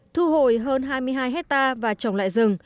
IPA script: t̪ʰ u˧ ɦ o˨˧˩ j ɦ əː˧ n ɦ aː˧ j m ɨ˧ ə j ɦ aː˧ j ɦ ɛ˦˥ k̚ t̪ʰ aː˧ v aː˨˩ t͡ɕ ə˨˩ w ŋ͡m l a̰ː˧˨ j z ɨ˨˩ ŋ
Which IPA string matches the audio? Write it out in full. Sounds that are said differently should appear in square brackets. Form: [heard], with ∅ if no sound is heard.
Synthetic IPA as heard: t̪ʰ u˧ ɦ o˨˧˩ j ɦ əː˧ n ɦ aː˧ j m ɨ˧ ə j ɦ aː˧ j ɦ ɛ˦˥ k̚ [t̪] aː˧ v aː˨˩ t͡ɕ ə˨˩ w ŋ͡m l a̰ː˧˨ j z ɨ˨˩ ŋ